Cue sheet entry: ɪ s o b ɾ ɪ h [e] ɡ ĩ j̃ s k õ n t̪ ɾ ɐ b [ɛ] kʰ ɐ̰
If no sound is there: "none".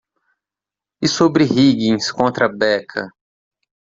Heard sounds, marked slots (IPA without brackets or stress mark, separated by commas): i, ɛ